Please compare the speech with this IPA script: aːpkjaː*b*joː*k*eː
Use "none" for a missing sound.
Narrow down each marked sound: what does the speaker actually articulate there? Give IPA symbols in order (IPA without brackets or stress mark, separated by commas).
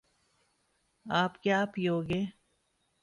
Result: p, ɡ